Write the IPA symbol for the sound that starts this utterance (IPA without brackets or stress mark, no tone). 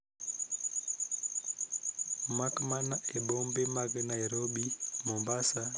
m